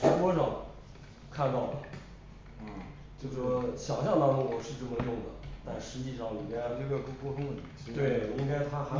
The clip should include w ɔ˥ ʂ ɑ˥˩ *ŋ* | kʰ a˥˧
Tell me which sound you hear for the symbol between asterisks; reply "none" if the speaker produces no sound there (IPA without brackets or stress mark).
ŋ